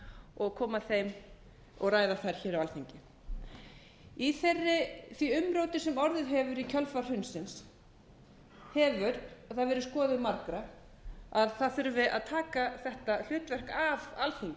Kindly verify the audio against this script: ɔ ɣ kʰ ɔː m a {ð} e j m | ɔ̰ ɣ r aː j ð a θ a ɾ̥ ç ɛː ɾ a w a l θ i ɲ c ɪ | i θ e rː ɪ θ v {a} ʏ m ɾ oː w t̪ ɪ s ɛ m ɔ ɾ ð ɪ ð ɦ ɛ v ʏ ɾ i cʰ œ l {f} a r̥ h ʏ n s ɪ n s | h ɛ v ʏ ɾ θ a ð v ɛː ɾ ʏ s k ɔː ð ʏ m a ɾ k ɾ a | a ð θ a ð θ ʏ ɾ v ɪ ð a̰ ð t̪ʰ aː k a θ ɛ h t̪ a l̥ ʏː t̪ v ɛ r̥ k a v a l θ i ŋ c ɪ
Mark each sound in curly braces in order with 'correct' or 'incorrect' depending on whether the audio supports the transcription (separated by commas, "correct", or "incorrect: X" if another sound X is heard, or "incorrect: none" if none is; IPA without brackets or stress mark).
incorrect: θ, incorrect: i, correct